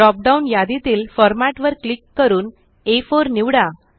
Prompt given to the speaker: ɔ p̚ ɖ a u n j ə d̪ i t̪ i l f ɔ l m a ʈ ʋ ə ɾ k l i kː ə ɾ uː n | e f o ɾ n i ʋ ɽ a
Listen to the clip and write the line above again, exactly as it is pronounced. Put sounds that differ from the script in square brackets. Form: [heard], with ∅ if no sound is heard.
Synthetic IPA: ɔ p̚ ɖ a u n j [a] d̪ i t̪ [iː] l f ɔ [ɾ] m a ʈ ʋ ə ɾ k l i kː ə ɾ uː n | e f o ɾ n i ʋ ɽ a